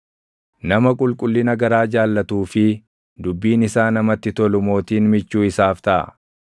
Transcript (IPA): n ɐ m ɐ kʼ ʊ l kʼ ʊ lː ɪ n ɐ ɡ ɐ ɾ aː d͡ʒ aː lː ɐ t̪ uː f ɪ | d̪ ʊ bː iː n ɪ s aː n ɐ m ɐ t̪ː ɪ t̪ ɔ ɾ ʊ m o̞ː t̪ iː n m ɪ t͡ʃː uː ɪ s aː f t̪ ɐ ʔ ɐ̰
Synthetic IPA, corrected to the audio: n ɐ m ɐ kʼ ʊ l kʼ ʊ lː ɪ n ɐ ɡ ɐ ɾ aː d͡ʒ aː lː ɐ t̪ uː f ɪ | d̪ ʊ bː iː n ɪ s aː n ɐ m ɐ t̪ː ɪ t̪ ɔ l ʊ m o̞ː t̪ iː n m ɪ t͡ʃː uː ɪ s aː f t̪ ɐ ʔ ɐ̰